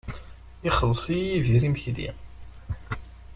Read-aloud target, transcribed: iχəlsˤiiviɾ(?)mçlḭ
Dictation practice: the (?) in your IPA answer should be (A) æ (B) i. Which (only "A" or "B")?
B